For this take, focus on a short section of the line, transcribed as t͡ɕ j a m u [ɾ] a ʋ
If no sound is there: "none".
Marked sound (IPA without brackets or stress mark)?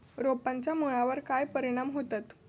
ɭ